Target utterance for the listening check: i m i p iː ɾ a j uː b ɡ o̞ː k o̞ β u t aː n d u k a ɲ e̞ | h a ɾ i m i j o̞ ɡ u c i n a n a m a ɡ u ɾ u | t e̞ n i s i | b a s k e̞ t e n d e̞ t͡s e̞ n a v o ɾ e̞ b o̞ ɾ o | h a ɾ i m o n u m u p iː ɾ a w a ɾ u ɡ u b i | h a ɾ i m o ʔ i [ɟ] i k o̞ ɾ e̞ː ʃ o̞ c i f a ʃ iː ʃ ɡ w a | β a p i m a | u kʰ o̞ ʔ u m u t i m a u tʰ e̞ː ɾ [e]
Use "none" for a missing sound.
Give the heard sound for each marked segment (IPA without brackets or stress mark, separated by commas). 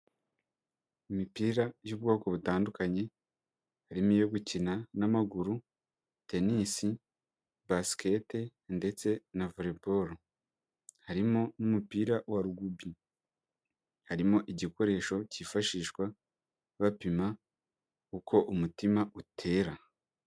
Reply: ɟ, a